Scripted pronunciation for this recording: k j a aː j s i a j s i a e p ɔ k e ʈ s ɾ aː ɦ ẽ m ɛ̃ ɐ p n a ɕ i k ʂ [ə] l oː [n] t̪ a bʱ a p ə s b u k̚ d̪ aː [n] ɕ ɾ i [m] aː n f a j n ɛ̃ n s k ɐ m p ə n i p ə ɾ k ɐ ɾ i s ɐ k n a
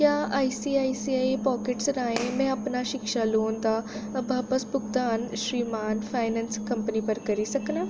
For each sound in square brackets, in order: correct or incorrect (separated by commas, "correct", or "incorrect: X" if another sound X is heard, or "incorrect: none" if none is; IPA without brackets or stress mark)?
incorrect: a, correct, correct, correct